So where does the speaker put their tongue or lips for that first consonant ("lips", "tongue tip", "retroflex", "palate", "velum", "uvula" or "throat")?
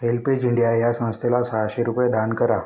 tongue tip